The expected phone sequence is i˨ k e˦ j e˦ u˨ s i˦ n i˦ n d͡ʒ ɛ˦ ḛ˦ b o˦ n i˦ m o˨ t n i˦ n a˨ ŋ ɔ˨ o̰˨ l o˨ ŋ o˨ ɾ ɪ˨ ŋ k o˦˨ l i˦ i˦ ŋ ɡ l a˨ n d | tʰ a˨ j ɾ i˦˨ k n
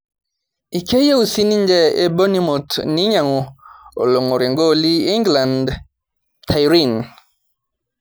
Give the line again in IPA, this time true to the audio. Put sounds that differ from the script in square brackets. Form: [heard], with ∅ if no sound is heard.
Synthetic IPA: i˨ k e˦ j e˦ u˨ s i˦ n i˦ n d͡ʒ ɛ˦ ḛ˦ b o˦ n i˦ m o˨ t n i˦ [ɲ] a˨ ŋ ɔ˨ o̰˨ l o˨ ŋ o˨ ɾ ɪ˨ ŋ [ɡ] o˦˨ l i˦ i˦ ŋ ɡ l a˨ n d | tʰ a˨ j ɾ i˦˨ [∅] n